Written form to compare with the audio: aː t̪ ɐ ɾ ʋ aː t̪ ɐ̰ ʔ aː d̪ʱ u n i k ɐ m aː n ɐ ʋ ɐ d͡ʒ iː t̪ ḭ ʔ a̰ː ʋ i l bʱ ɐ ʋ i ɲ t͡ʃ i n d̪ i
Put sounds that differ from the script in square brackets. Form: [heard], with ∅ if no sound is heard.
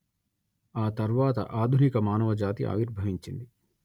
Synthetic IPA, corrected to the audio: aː t̪ ɐ ɾ ʋ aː t̪ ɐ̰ ʔ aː d̪ʱ u n i k ɐ m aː n ɐ ʋ ɐ d͡ʒ [aː] t̪ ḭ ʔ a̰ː ʋ i [ɾ] bʱ ɐ ʋ i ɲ t͡ʃ i n d̪ i